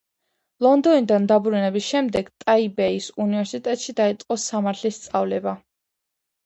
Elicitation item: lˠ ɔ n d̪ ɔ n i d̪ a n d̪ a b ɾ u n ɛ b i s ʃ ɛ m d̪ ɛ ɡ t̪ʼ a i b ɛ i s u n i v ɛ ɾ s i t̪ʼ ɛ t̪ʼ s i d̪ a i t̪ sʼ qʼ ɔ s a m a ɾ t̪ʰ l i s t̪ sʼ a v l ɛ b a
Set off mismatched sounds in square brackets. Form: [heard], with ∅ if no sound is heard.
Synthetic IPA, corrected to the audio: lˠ ɔ n d̪ ɔ n i d̪ a n d̪ a b ɾ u n ɛ b i s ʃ ɛ m d̪ ɛ ɡ t̪ʼ a i b ɛ i s u n i v ɛ ɾ s i t̪ʼ ɛ t̪ʼ [ʃ] i d̪ a i t̪ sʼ qʼ ɔ s a m a ɾ t̪ʰ l i s t̪ sʼ a v l ɛ b a